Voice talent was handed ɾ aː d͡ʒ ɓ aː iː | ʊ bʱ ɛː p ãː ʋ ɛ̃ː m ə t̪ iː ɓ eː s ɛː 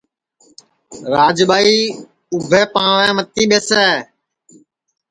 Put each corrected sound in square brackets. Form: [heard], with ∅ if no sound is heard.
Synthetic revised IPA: ɾ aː d͡ʒ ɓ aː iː | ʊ bʱ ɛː p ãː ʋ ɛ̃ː m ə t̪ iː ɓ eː s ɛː